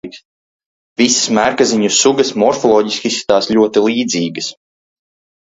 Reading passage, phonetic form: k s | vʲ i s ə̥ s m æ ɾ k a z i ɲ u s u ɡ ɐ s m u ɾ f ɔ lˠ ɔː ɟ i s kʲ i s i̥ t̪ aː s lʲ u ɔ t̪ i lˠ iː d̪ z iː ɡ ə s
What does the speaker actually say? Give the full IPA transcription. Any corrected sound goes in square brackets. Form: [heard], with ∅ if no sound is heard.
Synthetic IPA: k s | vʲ i s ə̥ s m æ ɾ k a z i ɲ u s u ɡ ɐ s m [ɔ] ɾ f ɔ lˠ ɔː ɟ i s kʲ i s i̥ t̪ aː s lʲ u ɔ t̪ i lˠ iː d̪ z iː ɡ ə s